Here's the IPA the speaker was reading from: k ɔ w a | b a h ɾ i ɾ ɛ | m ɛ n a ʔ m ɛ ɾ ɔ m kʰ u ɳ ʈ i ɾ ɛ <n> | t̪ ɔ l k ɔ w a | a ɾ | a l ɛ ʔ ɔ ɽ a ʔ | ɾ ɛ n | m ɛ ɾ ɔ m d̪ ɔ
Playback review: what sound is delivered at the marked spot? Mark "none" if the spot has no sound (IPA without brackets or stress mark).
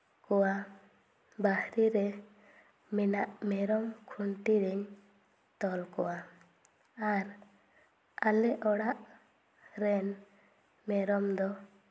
ɲ